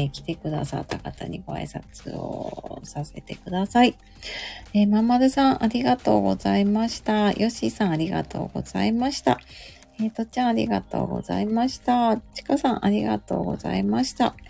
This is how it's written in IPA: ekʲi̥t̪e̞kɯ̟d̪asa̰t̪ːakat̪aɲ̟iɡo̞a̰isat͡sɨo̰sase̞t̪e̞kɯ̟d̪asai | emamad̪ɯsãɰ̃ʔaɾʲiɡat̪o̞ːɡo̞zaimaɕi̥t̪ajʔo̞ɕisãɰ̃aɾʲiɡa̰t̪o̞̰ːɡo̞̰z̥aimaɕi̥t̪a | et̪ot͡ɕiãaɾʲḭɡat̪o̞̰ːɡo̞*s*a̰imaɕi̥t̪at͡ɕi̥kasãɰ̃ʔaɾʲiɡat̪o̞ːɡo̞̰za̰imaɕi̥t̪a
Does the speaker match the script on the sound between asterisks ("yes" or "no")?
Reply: no